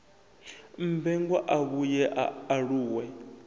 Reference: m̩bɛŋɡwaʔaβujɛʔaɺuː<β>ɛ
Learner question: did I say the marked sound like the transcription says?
no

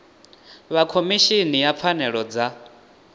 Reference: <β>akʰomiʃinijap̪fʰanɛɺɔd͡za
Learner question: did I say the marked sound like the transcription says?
yes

